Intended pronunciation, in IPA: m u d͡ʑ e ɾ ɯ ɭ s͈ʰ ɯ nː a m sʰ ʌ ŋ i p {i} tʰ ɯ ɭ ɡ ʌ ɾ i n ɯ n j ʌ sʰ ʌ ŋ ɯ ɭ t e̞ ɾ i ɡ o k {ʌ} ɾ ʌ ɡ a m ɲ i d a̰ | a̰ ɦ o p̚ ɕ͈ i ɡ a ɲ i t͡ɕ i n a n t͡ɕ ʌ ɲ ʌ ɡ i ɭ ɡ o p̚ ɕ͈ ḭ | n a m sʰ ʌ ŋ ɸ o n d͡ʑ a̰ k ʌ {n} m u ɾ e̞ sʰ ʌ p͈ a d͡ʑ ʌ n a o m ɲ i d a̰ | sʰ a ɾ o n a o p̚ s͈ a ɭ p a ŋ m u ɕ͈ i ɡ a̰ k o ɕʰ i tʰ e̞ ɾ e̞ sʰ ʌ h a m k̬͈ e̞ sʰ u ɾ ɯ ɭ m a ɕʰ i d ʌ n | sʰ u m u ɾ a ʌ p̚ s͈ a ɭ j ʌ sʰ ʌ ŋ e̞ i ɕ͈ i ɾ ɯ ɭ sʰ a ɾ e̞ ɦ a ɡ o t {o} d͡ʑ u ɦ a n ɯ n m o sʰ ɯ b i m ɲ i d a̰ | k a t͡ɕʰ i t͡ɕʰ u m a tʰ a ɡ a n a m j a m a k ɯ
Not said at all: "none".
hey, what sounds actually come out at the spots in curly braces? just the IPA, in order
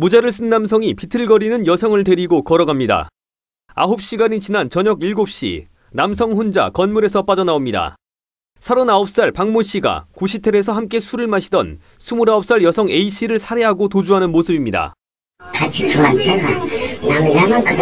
i, ʌ, n, o

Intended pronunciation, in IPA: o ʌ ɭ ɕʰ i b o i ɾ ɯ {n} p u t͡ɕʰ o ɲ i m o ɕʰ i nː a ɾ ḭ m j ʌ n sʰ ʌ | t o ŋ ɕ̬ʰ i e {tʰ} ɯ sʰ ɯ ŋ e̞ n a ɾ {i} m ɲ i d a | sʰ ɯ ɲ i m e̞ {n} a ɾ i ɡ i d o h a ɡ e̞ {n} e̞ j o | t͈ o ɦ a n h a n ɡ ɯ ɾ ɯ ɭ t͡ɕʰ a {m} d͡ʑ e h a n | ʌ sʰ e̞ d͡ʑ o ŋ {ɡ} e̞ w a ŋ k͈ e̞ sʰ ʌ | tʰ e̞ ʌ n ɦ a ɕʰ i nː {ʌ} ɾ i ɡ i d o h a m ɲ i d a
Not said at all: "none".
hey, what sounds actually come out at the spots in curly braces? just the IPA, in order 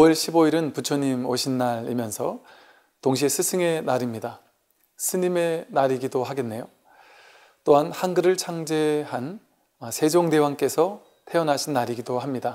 n, sʰ, i, n, nː, ŋ, d, a

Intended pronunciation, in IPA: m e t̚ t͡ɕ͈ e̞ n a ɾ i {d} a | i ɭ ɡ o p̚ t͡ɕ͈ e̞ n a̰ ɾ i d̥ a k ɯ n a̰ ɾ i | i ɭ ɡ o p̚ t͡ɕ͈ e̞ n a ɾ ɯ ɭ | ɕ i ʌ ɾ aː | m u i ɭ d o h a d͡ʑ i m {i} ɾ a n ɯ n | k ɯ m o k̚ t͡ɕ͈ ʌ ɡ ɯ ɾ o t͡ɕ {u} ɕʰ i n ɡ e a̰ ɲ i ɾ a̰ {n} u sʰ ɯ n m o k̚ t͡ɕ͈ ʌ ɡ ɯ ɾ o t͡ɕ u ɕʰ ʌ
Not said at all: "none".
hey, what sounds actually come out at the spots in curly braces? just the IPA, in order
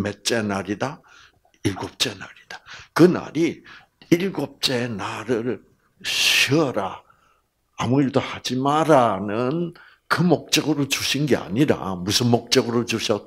d, a, u, m

